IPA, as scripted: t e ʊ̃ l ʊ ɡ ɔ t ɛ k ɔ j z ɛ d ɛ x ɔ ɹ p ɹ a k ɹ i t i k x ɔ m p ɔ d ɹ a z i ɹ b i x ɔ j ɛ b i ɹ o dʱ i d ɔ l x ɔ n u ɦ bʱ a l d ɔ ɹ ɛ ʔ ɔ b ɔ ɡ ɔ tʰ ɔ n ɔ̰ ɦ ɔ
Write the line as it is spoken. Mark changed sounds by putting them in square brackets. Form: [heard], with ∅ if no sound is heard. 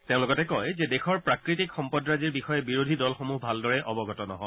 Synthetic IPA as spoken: t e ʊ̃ l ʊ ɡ ɔ t ɛ k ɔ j z ɛ d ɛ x ɔ ɹ p ɹ a k ɹ i t i k x ɔ m p ɔ d ɹ a z i ɹ b i x ɔ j ɛ b i ɹ o dʱ i d ɔ l x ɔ [m] u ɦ bʱ a l d ɔ ɹ ɛ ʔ ɔ b ɔ ɡ ɔ [t] ɔ n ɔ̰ ɦ ɔ